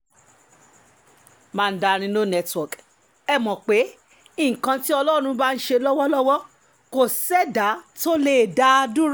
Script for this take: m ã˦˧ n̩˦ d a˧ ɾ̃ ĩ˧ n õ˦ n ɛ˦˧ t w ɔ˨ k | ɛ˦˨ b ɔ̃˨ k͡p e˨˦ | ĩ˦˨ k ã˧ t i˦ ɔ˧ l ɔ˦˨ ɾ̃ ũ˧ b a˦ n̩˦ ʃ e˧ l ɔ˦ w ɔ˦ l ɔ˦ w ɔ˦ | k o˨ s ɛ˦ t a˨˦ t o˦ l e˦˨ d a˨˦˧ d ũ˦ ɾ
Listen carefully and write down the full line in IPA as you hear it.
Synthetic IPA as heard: m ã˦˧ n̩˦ d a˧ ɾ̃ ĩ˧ n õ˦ n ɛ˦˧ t w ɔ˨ k | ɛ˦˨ m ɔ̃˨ k͡p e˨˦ | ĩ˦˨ k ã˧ t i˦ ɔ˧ l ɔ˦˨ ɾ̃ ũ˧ b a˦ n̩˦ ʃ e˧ l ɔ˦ w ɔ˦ l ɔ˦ w ɔ˦ | k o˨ s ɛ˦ d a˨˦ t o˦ l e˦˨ d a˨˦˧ d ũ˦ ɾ